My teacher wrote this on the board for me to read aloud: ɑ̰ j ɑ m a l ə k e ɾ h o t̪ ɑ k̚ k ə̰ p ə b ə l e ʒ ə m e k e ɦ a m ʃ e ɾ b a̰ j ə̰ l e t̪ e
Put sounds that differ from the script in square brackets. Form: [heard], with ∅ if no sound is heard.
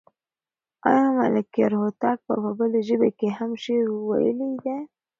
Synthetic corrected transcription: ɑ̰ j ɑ m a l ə k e ɾ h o t̪ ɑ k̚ [p] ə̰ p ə b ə l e ʒ ə [b] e k e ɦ a m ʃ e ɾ [w] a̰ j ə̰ l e [d̪] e